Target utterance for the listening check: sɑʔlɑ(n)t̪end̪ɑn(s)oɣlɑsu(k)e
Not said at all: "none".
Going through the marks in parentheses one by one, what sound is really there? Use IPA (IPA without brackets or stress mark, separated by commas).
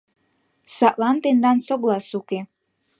n, s, k